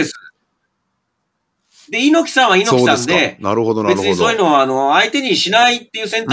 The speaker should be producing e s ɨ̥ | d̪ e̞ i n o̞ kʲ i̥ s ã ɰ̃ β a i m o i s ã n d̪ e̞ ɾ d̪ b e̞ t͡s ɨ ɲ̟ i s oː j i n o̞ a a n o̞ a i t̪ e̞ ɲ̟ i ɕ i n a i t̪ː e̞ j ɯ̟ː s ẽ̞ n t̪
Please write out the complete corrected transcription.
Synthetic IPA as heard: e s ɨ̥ | d̪ e̞ i n o̞ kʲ i̥ s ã ɰ̃ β a i n o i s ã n d̪ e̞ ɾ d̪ b e̞ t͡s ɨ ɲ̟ i s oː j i n o̞ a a n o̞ a i t̪ e̞ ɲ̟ i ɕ i n a i t̪ː e̞ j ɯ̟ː s ẽ̞ n t̪